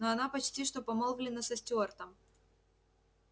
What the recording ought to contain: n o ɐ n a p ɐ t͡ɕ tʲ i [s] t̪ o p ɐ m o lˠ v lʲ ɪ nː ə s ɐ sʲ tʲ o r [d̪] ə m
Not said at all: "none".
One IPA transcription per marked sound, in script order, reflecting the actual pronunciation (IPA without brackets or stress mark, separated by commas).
ʂ, t̪